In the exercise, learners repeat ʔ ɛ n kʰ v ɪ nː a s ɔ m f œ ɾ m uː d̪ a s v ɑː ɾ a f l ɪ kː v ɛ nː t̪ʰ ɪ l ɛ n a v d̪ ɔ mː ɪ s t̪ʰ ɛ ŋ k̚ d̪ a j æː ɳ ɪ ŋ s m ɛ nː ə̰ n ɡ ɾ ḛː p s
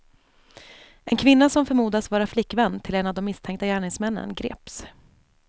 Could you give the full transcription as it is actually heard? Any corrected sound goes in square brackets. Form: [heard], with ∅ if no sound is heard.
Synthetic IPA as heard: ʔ ɛ n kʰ v ɪ nː a s ɔ m f œ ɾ m uː d̪ a s v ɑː ɾ a f l ɪ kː v ɛ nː t̪ʰ ɪ l ɛ n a v d̪ ɔ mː ɪ s t̪ʰ ɛ ŋ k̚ [t̪] a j æː ɳ ɪ ŋ s m ɛ nː ə̰ n ɡ ɾ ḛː p s